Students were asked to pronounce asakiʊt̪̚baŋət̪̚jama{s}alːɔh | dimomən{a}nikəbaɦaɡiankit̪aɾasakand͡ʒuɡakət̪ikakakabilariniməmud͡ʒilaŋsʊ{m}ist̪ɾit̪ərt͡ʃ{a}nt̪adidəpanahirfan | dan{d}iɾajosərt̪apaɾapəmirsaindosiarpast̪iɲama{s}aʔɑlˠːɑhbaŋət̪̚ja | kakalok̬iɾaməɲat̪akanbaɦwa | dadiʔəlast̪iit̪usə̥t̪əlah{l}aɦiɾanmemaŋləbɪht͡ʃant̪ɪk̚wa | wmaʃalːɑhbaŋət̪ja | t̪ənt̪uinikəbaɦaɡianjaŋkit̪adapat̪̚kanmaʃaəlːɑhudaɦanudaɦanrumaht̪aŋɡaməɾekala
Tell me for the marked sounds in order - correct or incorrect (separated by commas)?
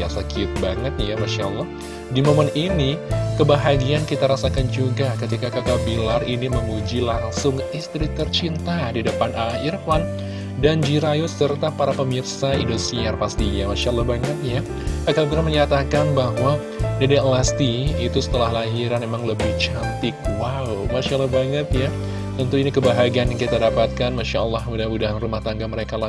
incorrect, incorrect, incorrect, incorrect, incorrect, incorrect, correct